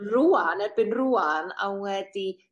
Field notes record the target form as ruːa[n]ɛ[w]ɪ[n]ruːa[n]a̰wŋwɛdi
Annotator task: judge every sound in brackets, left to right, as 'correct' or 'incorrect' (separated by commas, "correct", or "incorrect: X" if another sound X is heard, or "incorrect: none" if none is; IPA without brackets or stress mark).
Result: correct, incorrect: b, correct, correct